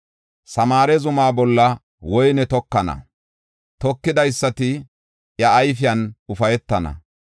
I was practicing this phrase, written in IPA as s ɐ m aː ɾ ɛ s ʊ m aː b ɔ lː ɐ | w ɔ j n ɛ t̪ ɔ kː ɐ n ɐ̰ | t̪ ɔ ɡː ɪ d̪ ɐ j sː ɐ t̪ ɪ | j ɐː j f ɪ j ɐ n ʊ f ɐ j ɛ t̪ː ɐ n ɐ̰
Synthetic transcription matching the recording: s ɐ m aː ɾ ɛ z ʊ m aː b ɔ lː ɐ | w ɔ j n ɛ t̪ ɔ kː ɐ n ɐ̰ | t̪ ɔ kː ɪ d̪ ɐ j sː ɐ t̪ ɪ | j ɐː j f ɪ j ɐ n ʊ f ɐ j ɛ t̪ː ɐ n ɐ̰